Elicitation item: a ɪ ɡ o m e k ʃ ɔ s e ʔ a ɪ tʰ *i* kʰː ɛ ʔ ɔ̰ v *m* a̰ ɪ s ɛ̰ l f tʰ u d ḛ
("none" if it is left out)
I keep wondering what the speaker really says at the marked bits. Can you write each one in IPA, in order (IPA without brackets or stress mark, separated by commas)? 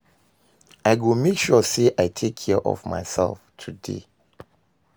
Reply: e, m